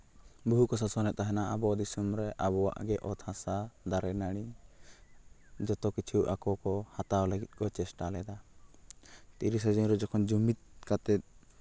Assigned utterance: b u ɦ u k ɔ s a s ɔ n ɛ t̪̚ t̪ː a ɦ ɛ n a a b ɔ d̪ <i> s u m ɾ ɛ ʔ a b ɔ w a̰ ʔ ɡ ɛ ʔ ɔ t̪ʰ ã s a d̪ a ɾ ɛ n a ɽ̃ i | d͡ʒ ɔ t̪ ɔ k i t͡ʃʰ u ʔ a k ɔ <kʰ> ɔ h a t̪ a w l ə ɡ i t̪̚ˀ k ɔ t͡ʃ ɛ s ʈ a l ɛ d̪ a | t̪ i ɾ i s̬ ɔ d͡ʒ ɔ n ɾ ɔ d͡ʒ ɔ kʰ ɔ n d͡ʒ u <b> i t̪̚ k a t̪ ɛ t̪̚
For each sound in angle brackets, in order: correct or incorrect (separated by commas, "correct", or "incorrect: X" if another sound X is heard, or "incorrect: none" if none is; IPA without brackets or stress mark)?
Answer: correct, incorrect: k, incorrect: m